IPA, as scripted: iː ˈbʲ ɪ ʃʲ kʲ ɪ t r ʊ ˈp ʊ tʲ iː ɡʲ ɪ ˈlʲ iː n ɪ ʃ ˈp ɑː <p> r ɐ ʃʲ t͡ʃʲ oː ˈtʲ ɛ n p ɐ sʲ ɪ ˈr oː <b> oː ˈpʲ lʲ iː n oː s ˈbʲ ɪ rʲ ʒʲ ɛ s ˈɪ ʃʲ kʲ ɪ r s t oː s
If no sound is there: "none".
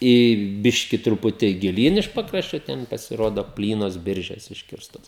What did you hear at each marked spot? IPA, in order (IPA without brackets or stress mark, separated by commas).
k, d